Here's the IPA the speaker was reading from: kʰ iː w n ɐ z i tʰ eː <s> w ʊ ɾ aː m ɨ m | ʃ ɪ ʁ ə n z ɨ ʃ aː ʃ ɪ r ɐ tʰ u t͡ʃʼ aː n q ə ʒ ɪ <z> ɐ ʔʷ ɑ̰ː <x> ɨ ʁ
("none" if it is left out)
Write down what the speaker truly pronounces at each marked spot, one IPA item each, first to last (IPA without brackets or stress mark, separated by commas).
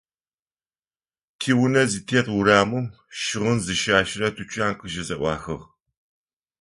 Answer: t, z, x